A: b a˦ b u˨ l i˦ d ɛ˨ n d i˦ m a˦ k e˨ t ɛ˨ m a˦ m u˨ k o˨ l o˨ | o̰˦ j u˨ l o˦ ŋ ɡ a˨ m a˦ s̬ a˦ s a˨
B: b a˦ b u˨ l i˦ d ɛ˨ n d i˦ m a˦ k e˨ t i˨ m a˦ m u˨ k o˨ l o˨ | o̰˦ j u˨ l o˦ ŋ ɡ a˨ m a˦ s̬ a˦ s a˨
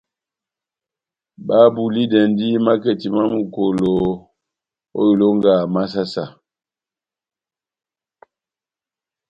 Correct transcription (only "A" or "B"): B